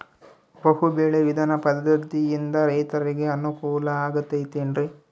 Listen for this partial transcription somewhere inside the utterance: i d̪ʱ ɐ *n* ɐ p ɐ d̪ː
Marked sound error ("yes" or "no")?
no